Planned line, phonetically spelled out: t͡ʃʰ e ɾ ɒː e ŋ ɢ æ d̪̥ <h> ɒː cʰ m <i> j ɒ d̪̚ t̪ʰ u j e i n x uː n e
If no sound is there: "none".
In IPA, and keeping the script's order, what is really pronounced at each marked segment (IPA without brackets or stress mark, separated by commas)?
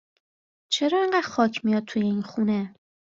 x, i